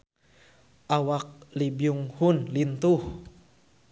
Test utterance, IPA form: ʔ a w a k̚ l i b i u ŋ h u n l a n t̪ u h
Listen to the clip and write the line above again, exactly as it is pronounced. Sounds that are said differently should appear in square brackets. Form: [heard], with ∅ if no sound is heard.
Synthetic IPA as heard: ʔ a w a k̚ l i b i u ŋ h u n l [i] n t̪ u h